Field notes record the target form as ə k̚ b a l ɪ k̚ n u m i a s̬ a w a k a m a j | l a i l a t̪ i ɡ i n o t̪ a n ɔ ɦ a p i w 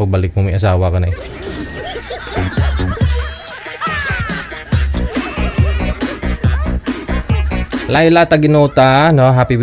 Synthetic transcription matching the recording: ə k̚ b a l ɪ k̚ m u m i a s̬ a w a k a n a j | l a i l a t̪ a ɡ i n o t̪ a n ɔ ɦ a p i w